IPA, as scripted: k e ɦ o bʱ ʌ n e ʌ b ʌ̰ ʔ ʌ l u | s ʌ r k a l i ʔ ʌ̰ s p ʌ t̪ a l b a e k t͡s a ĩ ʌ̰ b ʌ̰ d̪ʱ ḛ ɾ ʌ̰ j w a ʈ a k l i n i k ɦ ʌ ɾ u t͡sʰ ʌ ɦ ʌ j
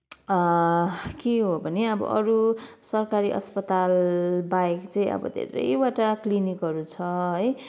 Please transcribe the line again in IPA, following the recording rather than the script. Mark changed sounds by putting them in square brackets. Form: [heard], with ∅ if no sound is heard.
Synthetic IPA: k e ɦ o bʱ ʌ n e ʌ b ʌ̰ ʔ ʌ [ɾ] u | s ʌ r k a [ɾ] i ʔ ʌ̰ s p ʌ t̪ a l b a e k t͡s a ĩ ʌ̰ b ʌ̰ d̪ʱ ḛ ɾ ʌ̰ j w a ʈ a k l i n i k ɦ ʌ ɾ u t͡sʰ ʌ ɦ ʌ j